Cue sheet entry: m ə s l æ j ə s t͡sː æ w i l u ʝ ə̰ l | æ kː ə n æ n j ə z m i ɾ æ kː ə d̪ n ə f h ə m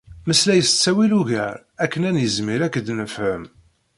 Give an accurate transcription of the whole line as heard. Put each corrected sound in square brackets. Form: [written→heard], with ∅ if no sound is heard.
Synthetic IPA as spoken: m ə s l æ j ə s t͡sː æ w i l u ʝ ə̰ [l→ɾ] | æ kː ə n æ n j ə z m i ɾ æ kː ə d̪ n ə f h ə m